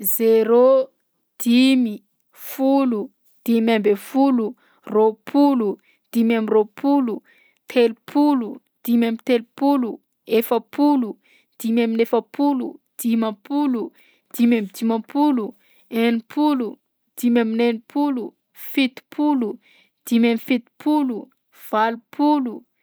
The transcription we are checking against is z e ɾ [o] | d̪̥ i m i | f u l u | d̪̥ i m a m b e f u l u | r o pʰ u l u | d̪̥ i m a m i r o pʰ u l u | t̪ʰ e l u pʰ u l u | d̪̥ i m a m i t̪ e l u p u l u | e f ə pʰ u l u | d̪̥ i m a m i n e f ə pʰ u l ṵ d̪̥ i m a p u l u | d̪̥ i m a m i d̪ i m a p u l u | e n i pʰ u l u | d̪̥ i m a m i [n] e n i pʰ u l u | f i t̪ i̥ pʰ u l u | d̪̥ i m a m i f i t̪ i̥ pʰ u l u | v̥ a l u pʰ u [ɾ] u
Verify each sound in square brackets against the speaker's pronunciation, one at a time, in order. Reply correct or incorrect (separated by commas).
correct, correct, incorrect